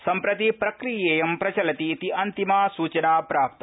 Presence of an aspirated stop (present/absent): absent